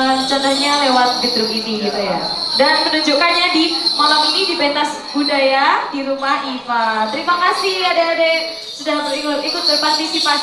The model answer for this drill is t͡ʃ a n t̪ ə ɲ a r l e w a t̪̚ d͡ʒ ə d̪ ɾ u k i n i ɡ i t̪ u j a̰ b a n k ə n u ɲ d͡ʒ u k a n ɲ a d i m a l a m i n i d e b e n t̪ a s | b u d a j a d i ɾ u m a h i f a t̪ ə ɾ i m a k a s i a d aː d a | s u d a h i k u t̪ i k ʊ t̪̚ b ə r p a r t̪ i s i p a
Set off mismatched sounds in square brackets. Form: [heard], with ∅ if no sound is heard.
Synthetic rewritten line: t͡ʃ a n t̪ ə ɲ a [∅] l e w a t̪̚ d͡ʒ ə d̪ ɾ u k i n i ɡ i t̪ u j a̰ [d] a n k ə n u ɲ d͡ʒ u k a n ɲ a d i m a l a m i n i d [i] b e n t̪ a s | b u d a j a d i ɾ u m a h i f a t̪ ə ɾ i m a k a s i a d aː d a | s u d a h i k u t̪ i k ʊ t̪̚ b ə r p a r t̪ i s i p a